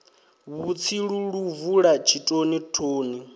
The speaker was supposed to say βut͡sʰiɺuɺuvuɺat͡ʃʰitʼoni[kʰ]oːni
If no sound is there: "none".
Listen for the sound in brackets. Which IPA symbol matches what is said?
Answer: tʰ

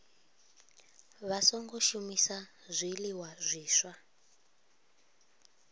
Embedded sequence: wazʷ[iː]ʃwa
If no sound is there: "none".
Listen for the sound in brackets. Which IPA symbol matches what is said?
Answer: iː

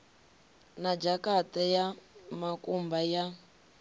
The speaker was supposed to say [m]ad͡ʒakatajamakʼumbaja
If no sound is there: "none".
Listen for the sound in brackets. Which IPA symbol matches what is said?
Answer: n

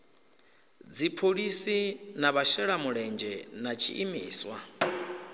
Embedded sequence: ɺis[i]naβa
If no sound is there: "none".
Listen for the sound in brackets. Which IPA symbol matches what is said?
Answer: i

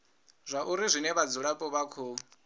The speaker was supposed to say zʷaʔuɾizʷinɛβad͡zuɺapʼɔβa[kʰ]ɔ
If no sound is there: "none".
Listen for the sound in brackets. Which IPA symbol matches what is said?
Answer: kʰ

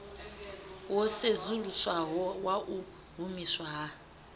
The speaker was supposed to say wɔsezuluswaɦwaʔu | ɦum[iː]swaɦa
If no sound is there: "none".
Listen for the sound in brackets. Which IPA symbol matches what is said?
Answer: i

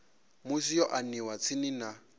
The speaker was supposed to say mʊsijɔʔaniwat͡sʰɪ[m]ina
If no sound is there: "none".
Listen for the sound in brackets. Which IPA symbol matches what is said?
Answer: n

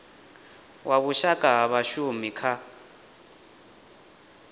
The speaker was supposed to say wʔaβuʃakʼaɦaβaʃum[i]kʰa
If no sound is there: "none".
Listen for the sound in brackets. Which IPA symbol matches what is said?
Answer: i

